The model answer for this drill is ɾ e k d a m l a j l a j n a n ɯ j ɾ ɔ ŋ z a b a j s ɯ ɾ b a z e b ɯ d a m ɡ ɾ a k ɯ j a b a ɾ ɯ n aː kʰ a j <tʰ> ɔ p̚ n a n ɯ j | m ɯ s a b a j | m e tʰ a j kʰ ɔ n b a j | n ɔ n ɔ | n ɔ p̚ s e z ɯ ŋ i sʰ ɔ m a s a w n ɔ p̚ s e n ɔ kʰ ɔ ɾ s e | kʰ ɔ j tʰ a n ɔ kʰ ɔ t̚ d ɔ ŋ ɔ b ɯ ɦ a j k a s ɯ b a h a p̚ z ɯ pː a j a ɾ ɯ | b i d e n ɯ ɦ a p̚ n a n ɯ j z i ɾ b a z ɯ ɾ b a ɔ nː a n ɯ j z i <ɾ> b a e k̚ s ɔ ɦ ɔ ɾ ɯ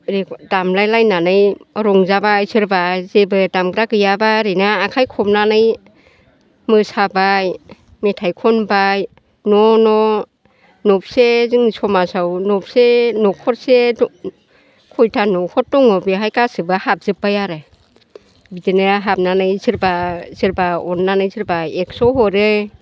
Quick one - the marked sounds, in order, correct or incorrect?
incorrect: kʰ, correct

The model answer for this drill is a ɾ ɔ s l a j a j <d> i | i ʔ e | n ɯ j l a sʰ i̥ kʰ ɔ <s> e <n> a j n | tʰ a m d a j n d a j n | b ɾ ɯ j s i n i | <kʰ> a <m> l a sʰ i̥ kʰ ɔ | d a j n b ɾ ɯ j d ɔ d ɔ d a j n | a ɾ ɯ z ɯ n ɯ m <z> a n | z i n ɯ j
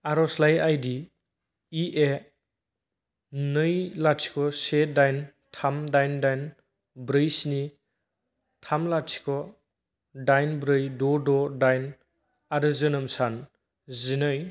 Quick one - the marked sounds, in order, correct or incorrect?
correct, correct, incorrect: d, incorrect: tʰ, correct, incorrect: s

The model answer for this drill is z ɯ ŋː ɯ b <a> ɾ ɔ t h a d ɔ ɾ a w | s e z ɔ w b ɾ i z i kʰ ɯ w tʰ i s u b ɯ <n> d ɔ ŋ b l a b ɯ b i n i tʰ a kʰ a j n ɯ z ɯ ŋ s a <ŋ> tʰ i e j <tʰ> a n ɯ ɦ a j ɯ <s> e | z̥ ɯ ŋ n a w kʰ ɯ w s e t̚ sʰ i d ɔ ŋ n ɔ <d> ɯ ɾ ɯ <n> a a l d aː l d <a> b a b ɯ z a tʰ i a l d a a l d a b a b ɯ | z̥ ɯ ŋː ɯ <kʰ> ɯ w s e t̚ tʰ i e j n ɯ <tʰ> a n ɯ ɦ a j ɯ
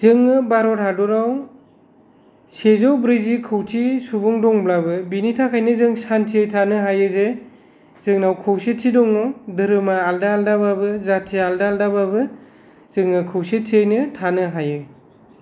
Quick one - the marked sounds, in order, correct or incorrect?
correct, incorrect: ŋ, incorrect: n, correct, incorrect: z, correct, incorrect: m, correct, correct, correct

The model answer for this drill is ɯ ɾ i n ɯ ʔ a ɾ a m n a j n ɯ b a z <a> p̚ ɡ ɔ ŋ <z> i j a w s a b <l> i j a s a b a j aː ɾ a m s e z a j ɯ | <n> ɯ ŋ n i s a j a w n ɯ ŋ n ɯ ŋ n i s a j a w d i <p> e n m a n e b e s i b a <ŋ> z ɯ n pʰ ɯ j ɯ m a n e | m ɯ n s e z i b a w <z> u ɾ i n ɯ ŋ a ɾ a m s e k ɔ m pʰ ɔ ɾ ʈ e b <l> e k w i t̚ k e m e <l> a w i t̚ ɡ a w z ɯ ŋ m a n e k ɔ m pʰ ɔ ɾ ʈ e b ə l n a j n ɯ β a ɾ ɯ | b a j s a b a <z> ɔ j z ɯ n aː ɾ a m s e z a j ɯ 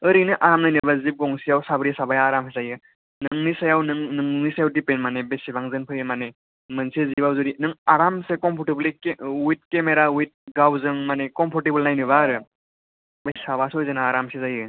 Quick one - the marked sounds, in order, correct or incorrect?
incorrect: i, incorrect: s, incorrect: ɾ, correct, correct, correct, correct, correct, incorrect: ɾ, incorrect: s

